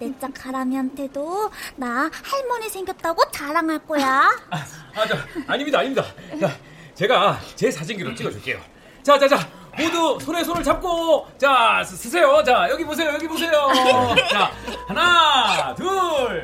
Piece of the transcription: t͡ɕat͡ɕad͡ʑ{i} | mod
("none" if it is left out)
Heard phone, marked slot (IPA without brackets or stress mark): a